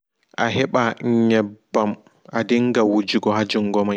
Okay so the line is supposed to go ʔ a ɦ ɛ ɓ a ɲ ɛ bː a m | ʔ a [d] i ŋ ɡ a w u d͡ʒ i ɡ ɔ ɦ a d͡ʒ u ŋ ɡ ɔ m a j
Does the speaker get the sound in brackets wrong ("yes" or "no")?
no